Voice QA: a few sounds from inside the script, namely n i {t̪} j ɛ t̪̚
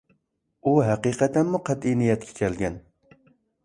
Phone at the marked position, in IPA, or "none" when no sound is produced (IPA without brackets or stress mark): none